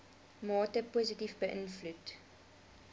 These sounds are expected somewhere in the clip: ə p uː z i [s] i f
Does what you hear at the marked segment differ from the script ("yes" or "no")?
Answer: yes